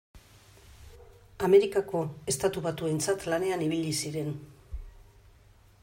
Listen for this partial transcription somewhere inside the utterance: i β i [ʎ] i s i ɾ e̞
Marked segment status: correct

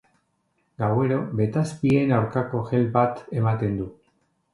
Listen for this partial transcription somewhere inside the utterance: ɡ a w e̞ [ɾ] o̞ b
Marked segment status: correct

